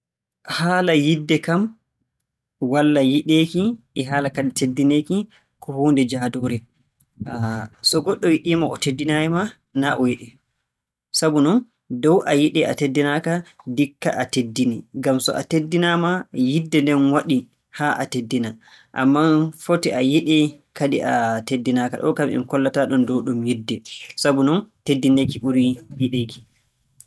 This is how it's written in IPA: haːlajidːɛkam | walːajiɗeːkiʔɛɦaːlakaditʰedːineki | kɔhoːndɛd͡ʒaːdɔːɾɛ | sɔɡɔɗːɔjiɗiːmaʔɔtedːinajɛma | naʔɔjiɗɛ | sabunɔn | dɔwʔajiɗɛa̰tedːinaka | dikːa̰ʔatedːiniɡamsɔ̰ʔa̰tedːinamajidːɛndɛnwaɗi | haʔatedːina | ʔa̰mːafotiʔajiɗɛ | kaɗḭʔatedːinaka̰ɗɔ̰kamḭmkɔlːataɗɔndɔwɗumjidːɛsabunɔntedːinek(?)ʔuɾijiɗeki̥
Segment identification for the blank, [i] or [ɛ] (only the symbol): i